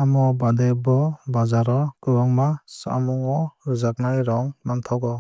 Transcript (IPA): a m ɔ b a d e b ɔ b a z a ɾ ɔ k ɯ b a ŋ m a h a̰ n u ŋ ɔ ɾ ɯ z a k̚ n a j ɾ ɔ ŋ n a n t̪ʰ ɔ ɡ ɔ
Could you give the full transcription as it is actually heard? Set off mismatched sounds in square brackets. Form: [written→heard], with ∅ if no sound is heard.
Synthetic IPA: a m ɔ b a d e b ɔ b a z a ɾ ɔ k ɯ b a ŋ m a [h→s] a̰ [n→m] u ŋ ɔ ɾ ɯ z a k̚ n a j ɾ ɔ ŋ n a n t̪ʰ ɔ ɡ ɔ